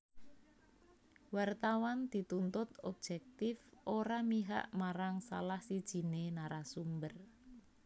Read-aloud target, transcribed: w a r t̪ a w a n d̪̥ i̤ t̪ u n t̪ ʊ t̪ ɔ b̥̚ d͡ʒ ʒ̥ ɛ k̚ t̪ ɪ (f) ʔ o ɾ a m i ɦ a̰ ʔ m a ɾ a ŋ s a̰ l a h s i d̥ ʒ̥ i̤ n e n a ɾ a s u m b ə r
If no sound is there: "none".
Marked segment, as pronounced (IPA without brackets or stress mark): f